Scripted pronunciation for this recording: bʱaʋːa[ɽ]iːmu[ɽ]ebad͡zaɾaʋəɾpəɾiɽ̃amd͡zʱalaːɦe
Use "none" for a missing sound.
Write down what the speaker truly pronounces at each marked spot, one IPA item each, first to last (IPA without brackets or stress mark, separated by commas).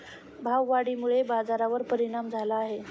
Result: ɽ, ɭ